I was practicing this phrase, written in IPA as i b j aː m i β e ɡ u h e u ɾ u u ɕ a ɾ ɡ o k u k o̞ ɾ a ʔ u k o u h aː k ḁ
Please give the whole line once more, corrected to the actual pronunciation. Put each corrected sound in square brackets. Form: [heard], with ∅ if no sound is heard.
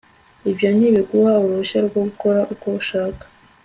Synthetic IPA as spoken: i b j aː [ɲ] i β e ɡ u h [a] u ɾ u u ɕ a ɾ ɡ o [ɡ] u k o̞ ɾ a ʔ u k o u [ʃ] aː k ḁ